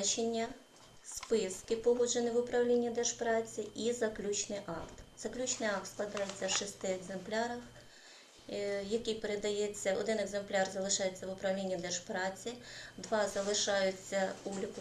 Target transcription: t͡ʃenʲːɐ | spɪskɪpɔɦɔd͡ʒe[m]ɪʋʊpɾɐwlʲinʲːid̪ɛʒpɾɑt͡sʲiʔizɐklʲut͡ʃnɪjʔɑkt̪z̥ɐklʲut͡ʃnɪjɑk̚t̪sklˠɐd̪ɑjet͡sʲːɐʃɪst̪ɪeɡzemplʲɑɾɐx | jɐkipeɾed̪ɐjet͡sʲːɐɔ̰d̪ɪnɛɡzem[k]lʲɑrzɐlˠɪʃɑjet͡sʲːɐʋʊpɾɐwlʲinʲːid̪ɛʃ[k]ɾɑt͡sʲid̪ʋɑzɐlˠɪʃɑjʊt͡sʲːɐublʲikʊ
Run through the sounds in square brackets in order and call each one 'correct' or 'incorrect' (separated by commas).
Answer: incorrect, incorrect, incorrect